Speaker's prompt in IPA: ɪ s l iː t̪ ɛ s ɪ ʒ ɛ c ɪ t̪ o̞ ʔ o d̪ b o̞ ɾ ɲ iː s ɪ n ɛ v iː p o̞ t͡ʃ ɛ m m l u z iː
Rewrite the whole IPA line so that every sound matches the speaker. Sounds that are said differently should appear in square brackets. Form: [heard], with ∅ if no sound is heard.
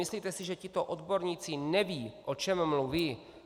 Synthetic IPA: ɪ s l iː t̪ ɛ s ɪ ʒ ɛ c ɪ t̪ o̞ ʔ o d̪ b o̞ ɾ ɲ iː [t͡s] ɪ n ɛ v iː [ʔ] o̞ t͡ʃ ɛ m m l u [v] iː